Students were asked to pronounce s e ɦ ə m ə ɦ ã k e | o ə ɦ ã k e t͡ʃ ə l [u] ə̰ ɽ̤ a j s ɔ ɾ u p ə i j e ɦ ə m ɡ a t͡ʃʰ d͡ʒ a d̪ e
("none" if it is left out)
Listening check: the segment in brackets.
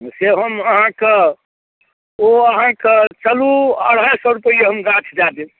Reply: u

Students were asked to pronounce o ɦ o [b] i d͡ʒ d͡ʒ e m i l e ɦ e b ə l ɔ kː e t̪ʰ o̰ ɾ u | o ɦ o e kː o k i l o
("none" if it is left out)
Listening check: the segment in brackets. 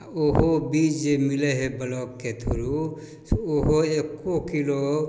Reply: b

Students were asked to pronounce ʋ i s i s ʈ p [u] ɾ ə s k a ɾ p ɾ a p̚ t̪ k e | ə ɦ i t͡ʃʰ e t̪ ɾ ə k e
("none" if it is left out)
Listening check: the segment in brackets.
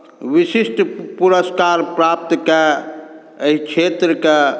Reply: u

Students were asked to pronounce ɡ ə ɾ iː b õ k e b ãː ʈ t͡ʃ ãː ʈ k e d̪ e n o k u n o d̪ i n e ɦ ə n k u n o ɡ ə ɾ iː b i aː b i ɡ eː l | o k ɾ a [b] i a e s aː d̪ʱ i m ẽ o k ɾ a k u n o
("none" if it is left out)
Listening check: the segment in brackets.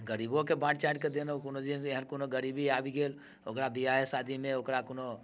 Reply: b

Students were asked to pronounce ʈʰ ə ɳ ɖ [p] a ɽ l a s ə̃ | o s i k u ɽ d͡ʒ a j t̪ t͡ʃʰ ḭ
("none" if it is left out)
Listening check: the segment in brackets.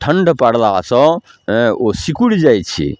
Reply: p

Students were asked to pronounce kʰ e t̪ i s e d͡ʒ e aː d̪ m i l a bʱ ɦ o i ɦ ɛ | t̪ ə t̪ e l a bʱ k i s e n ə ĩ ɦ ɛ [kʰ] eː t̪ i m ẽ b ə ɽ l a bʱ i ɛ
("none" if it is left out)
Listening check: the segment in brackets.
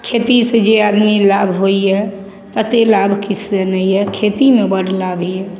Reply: kʰ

